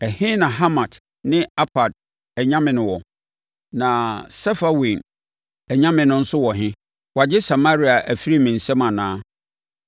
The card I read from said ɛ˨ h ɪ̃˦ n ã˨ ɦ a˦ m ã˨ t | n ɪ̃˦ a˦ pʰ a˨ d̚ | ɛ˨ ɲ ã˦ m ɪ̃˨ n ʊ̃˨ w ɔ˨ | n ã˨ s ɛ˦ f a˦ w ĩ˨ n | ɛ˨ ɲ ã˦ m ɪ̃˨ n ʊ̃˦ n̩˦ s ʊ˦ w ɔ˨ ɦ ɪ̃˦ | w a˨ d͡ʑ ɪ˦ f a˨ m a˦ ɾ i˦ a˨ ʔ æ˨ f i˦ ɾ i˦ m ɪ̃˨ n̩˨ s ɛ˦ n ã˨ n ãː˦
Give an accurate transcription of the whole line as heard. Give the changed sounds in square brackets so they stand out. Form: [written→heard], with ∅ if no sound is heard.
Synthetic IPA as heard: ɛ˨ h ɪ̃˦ n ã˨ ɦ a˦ m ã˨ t | n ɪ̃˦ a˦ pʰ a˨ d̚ | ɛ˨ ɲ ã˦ m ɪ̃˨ n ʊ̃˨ w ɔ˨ | n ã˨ s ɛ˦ f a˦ w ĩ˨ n | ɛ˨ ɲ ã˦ m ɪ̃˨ n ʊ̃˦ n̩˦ s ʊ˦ w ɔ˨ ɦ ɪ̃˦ | w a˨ d͡ʑ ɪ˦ [f→s] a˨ m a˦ ɾ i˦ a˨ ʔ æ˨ f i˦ ɾ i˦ m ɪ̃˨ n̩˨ s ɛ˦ [n→m] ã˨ n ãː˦